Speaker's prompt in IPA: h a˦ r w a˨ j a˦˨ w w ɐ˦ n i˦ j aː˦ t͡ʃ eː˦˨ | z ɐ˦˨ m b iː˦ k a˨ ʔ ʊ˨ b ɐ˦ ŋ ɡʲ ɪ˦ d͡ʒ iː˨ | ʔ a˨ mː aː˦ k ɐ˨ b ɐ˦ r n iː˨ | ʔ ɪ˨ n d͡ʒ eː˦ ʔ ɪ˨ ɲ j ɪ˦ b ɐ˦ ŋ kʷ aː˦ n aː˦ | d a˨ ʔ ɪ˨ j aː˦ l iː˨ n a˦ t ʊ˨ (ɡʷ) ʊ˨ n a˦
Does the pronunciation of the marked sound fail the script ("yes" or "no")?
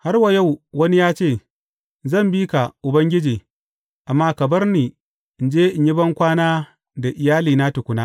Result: yes